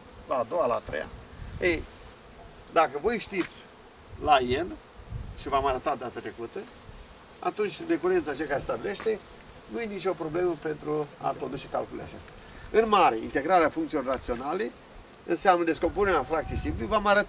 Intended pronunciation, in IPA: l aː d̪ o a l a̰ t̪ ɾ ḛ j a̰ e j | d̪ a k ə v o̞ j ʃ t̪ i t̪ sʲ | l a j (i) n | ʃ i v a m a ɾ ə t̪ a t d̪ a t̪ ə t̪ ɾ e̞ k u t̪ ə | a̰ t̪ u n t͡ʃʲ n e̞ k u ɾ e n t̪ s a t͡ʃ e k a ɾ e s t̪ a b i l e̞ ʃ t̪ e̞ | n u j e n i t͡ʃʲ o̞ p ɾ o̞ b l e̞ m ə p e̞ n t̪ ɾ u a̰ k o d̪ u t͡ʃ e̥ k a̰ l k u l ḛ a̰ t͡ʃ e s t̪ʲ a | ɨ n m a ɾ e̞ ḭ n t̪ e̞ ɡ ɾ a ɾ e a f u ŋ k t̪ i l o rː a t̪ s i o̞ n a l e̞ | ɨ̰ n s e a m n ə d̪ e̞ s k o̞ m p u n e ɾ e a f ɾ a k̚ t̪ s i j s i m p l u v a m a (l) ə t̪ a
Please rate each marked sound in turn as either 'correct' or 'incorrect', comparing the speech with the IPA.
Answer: incorrect, incorrect

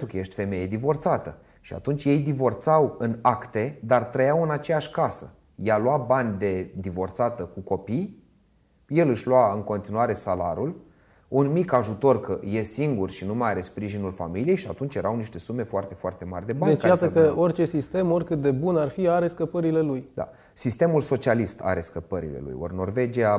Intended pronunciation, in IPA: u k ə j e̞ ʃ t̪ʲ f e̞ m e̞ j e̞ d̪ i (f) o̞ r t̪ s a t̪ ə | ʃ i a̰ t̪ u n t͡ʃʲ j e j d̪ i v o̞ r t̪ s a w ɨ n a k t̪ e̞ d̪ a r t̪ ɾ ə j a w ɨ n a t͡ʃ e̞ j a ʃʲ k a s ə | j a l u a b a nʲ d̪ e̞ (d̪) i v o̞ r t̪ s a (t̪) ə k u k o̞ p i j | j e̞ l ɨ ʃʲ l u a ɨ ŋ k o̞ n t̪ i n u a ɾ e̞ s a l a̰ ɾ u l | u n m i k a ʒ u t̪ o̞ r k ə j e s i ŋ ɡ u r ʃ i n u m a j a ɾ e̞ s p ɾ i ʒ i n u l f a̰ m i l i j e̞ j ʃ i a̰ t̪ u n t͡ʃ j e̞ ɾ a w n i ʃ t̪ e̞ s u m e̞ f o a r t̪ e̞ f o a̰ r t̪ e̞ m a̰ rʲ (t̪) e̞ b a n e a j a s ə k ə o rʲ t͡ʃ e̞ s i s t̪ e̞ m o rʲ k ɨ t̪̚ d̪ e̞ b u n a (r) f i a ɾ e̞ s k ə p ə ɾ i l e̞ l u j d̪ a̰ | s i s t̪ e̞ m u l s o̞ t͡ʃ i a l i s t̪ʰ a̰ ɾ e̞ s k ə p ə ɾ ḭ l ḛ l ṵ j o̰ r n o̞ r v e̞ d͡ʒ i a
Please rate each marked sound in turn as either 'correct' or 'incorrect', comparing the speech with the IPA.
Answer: incorrect, correct, correct, incorrect, correct

